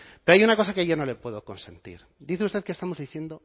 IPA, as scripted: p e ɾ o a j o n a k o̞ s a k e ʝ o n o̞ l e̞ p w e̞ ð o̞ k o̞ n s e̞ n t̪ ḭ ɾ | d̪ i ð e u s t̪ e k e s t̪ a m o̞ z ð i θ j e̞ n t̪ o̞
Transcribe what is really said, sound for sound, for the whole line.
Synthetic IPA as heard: p e ɾ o a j u n a k o̞ s a k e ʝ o n o̞ l e̞ p w e̞ ð o̞ k o̞ n s e̞ n t̪ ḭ ɾ | d̪ i θ e u s t̪ e k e s t̪ a m o̞ z ð i θ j e̞ n d̪ o̞